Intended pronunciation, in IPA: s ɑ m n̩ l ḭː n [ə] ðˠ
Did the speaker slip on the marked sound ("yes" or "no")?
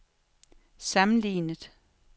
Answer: no